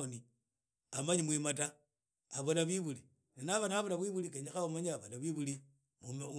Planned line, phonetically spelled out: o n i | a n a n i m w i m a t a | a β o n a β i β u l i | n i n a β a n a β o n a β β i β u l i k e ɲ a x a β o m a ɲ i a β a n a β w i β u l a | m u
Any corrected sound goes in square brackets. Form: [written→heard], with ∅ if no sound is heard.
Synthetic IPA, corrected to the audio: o n i | a [n→m] a [n→ɲ] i m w i m a t a | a β o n a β i β u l i | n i n a β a n a β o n a β [β→w] i β u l i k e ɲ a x a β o m a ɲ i a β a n a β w i β u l [a→i] | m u